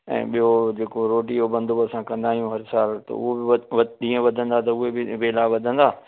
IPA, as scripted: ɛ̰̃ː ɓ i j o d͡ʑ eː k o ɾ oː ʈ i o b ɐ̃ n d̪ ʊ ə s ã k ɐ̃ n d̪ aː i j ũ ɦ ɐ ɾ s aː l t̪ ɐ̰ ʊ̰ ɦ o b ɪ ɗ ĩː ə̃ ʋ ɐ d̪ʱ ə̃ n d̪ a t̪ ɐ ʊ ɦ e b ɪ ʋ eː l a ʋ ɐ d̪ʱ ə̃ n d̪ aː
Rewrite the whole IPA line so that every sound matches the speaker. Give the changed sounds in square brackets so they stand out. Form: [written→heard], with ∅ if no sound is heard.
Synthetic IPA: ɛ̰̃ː ɓ i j o d͡ʑ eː k o ɾ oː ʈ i o b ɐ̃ n d̪ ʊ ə s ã k ɐ̃ n d̪ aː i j ũ ɦ ɐ ɾ s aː l t̪ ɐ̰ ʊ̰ ɦ o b ɪ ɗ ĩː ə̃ ʋ ɐ d̪ʱ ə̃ n d̪ a t̪ ɐ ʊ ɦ e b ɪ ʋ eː l a ʋ ɐ d̪ʱ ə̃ n d̪ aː